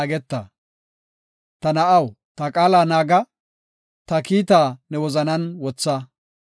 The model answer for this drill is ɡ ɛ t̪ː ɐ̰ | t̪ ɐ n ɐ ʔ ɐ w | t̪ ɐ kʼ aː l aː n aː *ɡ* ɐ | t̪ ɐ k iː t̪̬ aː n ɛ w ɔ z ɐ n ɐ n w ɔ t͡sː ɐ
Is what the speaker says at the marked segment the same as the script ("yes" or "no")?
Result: yes